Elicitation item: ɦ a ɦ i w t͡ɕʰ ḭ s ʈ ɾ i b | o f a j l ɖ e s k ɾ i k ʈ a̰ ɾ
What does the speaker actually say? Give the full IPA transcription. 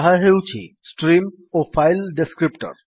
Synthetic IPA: ɦ a ɦ e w t͡ɕʰ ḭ s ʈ ɾ i m | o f a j l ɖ e s k ɾ i p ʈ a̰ ɾ